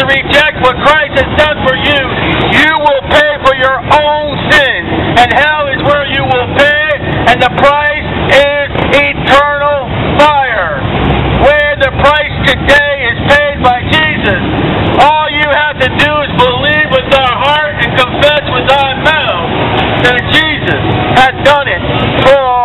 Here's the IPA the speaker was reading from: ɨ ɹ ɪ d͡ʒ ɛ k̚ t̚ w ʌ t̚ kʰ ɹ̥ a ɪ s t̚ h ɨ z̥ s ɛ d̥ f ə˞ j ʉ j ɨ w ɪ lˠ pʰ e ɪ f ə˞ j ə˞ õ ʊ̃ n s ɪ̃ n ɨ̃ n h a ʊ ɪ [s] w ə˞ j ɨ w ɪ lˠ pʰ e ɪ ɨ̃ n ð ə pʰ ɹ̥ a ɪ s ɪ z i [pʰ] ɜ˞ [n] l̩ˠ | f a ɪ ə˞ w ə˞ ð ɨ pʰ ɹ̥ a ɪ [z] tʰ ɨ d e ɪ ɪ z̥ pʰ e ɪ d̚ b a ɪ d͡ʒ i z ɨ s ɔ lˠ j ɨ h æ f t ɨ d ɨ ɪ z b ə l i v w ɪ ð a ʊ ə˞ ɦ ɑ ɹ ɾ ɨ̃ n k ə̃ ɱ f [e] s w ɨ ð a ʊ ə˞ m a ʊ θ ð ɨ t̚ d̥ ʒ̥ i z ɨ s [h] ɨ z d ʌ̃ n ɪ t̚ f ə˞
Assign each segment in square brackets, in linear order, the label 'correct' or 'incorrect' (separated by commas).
incorrect, incorrect, correct, incorrect, incorrect, correct